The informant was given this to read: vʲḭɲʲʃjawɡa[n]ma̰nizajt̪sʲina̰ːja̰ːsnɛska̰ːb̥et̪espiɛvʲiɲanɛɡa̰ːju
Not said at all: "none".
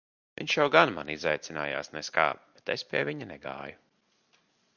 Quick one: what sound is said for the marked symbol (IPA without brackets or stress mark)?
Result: n